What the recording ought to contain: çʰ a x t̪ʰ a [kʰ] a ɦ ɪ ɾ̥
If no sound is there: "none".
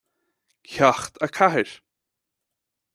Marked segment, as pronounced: kʰ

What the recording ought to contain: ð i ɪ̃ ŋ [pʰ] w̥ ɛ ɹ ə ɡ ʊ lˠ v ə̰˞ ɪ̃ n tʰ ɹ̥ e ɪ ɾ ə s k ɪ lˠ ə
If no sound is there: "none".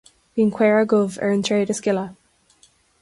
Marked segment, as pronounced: kʰ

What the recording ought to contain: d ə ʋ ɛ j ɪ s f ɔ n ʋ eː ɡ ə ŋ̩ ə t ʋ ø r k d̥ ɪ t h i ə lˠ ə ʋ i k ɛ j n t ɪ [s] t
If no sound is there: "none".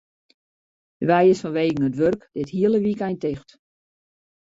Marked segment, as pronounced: x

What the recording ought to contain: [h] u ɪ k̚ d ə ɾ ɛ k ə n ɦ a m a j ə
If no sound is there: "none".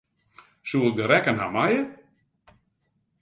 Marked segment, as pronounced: s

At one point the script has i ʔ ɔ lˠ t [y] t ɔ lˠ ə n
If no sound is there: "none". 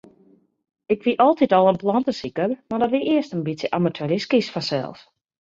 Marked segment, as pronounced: i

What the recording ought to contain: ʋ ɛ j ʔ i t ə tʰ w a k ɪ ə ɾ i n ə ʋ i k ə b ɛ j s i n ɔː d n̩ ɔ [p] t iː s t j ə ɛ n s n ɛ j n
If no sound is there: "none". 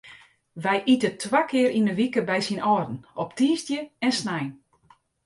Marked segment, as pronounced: p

